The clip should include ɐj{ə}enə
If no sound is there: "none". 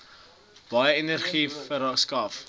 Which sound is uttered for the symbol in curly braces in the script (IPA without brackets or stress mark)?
ə